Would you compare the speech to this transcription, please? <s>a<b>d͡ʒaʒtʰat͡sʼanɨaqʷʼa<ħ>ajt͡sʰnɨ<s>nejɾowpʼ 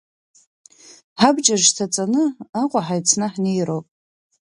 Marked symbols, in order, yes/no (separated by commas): no, yes, yes, no